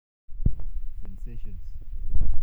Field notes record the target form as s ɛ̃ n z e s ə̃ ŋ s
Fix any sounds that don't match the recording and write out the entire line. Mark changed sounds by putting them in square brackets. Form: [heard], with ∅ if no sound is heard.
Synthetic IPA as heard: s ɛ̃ n [s] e [ʃ] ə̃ [n] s